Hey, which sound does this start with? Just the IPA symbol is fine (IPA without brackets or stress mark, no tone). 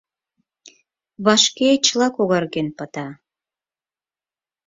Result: β